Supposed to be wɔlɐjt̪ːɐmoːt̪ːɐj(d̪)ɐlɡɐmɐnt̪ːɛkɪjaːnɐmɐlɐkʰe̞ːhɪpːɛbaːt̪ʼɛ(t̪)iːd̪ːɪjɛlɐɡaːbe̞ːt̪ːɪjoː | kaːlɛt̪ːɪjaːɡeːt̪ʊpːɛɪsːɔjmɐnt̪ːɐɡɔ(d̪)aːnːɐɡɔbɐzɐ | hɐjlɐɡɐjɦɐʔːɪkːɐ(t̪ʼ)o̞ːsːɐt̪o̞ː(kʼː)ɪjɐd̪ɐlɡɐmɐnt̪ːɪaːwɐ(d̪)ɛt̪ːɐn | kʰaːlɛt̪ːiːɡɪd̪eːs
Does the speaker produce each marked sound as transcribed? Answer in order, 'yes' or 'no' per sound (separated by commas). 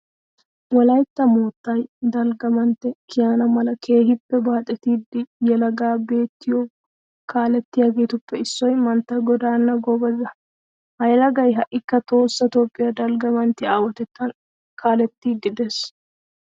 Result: yes, yes, yes, no, no, no